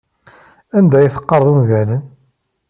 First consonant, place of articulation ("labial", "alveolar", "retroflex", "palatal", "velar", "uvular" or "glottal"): alveolar